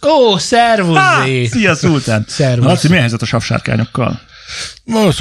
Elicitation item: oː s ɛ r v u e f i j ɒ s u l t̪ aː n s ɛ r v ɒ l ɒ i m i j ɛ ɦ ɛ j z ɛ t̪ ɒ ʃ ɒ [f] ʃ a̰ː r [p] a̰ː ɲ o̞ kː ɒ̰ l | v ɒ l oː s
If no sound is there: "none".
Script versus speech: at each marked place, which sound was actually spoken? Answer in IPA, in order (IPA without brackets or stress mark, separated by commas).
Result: f, k